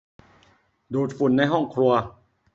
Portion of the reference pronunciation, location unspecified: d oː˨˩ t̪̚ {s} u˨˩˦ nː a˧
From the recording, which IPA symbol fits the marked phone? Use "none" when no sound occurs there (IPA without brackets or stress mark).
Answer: f